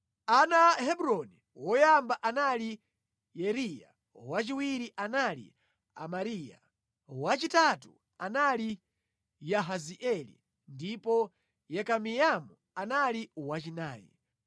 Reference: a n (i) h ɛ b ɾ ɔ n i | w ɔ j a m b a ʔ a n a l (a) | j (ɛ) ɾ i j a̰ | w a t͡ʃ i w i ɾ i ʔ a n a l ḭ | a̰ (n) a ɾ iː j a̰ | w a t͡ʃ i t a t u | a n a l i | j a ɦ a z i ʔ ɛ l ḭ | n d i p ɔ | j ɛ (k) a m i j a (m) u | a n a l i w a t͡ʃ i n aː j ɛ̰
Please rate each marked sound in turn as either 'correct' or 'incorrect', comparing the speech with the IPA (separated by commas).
incorrect, incorrect, correct, incorrect, correct, correct